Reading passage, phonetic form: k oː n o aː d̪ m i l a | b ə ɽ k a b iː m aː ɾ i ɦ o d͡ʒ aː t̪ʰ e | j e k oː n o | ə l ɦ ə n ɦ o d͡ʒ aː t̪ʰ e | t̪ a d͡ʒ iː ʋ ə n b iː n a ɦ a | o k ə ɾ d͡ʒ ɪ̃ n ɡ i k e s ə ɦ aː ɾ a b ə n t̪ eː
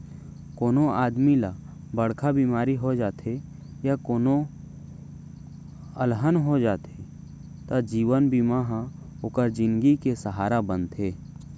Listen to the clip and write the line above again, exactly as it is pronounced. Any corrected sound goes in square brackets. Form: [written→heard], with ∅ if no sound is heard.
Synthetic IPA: k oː n o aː d̪ m i l a | b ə ɽ [k→kʰ] a b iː m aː ɾ i ɦ o d͡ʒ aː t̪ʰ e | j [e→a] k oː n o | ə l ɦ ə n ɦ o d͡ʒ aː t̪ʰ e | t̪ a d͡ʒ iː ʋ ə n b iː [n→m] a ɦ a | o k ə ɾ d͡ʒ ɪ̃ n ɡ i k e s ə ɦ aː ɾ a b ə n t̪ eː